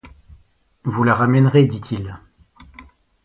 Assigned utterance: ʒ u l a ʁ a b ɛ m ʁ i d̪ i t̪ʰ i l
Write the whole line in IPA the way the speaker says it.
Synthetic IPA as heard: v u l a ʁ a m ɛ n ʁ e d̪ i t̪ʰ i l